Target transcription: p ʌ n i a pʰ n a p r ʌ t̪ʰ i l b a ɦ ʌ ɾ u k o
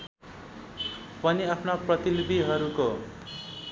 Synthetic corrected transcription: p ʌ n i a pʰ n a p r ʌ t̪ i l b i ɦ ʌ ɾ u k o

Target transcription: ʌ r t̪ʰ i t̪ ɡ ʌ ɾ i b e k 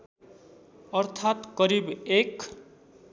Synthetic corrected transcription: ʌ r t̪ʰ a t̪ k ʌ ɾ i b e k

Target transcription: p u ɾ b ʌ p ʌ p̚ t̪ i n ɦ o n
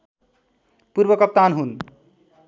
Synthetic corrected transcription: p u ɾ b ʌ k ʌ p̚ t̪ a n ɦ u n

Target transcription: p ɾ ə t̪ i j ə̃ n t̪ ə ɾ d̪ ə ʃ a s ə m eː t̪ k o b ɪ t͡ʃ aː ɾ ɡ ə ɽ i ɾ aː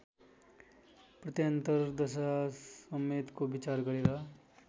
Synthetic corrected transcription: p ɾ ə t̪ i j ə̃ n t̪ ə ɾ d̪ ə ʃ a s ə m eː t̪ k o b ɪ t͡ʃ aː ɾ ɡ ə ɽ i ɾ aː

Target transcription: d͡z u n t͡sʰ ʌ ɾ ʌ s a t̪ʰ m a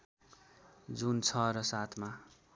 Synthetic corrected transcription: d͡z u n t͡sʰ ʌ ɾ ʌ s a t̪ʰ m a

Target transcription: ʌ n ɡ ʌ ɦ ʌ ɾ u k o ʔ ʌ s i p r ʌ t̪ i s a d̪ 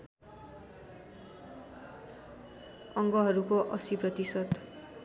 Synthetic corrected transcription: ʌ ŋ ɡ ʌ ɦ ʌ ɾ u k o ʔ ʌ s i p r ʌ t̪ i s ʌ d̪

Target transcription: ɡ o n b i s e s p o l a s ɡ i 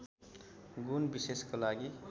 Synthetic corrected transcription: ɡ u n b i s e s k o l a ɡ i

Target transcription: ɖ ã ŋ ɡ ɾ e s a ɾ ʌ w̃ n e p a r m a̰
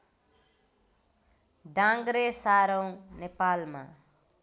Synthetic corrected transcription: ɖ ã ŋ ɡ ɾ e s a ɾ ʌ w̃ n e p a l m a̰

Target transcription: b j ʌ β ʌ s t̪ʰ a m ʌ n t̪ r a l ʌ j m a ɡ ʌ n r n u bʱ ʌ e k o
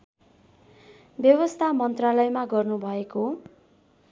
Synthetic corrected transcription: b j ʌ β ʌ s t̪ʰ a m ʌ n t̪ r a l ʌ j m a ɡ ʌ r n u bʱ ʌ e k o

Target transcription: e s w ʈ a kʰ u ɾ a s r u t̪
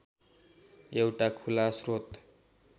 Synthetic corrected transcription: e w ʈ a kʰ u l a s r o t̪

